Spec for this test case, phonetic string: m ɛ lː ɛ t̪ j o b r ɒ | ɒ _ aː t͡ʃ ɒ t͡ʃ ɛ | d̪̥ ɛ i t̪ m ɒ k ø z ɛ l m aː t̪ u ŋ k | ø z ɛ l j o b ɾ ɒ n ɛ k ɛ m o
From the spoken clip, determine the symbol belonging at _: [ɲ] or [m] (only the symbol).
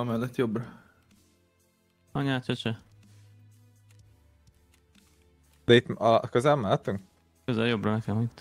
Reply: ɲ